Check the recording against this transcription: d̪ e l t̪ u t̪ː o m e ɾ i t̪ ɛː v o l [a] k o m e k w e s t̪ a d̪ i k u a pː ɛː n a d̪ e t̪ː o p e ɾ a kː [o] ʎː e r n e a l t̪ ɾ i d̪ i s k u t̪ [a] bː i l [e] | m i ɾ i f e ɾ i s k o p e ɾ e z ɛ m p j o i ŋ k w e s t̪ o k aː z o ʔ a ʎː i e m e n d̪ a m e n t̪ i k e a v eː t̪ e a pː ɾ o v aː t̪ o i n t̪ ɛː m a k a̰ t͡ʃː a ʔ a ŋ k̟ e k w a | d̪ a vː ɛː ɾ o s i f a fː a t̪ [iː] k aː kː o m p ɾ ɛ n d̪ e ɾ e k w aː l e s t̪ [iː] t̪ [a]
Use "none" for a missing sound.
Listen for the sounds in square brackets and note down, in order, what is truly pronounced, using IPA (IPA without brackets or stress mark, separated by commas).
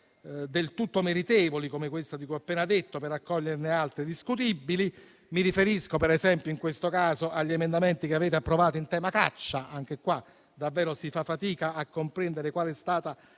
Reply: i, ɔ, i, i, iː, aː, a